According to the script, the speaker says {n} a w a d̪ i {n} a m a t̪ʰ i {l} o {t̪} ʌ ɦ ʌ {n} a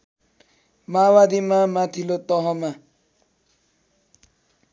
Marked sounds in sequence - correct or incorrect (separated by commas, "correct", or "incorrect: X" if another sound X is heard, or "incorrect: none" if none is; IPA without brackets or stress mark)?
incorrect: m, incorrect: m, correct, correct, incorrect: m